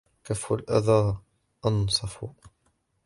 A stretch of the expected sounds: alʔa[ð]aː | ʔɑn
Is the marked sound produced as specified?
yes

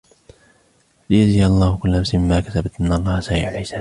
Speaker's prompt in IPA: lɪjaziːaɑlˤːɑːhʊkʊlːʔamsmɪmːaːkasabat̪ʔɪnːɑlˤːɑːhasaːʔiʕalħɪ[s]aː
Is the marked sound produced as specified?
yes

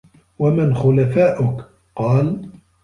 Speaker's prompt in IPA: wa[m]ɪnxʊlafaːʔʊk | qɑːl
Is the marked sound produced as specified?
yes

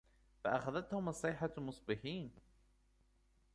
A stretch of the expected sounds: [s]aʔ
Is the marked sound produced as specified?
no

